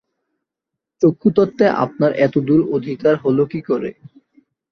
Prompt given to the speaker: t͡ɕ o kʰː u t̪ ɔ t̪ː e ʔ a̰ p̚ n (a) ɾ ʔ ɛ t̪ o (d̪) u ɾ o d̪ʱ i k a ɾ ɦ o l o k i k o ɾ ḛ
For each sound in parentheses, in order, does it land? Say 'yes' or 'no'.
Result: yes, yes

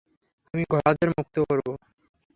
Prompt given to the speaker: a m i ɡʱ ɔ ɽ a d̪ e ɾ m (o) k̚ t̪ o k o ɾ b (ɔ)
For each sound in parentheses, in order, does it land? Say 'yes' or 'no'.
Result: no, no

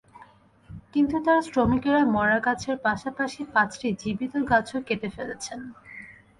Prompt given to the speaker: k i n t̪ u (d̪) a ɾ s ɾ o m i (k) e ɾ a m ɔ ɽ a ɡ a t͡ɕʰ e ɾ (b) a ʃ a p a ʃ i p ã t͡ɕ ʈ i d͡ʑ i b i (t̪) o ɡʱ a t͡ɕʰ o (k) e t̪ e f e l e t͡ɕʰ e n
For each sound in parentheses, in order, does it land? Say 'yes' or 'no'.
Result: no, yes, no, yes, yes

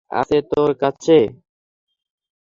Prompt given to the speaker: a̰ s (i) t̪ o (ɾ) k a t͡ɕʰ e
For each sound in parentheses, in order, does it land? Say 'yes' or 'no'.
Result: no, yes

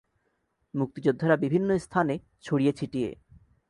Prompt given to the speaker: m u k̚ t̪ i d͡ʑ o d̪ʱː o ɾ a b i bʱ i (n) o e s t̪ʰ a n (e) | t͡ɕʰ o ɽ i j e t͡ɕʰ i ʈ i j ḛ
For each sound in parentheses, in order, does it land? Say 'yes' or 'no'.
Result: no, yes

